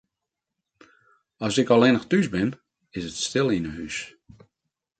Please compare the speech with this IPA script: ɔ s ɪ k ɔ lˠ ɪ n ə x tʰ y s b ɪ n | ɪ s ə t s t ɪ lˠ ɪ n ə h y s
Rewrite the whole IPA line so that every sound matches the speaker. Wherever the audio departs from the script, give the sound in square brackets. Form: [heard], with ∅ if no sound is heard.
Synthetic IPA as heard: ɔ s ɪ k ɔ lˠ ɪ n ə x [t] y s b ɪ n | ɪ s ə t s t ɪ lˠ [i] n ə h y s